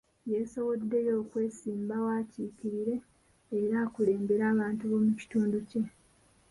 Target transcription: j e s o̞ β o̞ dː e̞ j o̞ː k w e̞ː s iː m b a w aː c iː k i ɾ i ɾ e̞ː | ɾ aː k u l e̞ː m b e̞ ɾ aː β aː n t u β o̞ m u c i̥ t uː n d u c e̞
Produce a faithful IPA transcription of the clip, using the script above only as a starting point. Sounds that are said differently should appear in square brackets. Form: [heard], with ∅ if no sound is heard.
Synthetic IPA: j e s o̞ β o̞ dː e̞ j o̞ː k w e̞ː s iː m b a w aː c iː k i ɾ i ɾ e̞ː | ɾ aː k u l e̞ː m b e̞ ɾ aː β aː n t u β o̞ m u c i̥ t uː n d u c e̞